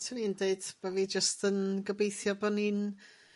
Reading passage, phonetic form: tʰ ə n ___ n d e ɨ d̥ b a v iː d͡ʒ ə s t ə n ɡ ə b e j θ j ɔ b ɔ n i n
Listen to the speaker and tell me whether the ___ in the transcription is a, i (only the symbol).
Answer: i